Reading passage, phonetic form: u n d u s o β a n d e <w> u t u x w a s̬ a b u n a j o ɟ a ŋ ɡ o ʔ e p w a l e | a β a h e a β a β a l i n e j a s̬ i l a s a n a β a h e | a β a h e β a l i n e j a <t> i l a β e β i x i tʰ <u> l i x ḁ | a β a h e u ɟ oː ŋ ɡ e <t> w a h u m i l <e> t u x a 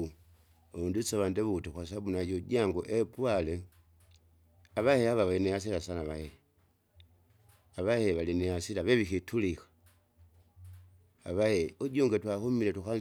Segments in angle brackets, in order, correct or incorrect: incorrect, incorrect, correct, correct, correct

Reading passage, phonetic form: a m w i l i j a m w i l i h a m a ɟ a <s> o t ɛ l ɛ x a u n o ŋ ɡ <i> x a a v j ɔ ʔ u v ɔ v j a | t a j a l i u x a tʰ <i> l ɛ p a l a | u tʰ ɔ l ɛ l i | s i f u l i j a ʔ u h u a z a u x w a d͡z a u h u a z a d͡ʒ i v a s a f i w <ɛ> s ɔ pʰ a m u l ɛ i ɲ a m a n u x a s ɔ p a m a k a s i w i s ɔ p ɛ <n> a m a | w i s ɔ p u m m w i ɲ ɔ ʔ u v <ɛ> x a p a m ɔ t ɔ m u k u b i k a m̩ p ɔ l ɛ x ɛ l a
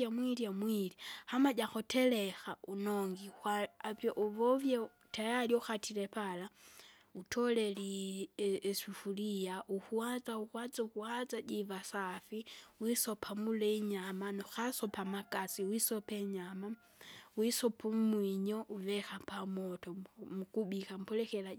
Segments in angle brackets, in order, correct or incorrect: incorrect, correct, correct, incorrect, incorrect, correct

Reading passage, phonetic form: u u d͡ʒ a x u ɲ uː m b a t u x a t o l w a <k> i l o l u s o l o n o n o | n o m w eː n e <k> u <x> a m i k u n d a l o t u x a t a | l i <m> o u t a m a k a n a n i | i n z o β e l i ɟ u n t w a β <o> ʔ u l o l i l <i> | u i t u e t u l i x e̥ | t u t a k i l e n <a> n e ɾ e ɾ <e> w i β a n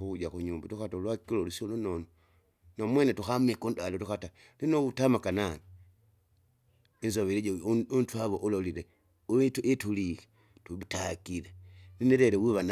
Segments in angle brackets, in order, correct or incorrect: correct, incorrect, correct, incorrect, correct, incorrect, incorrect, correct

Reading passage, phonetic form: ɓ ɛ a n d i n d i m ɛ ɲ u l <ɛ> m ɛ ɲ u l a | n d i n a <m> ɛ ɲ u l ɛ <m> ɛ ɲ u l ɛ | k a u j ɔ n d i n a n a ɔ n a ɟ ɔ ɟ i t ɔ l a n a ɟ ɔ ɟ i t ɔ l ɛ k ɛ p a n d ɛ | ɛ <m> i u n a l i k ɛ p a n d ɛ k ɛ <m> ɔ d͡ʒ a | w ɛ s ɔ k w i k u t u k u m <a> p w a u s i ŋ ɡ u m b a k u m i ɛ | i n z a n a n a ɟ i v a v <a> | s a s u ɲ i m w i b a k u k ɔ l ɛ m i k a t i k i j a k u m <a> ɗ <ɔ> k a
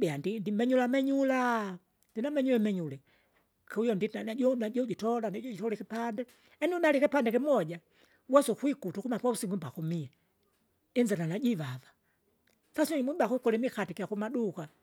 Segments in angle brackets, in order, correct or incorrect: incorrect, correct, correct, incorrect, correct, correct, correct, correct, incorrect

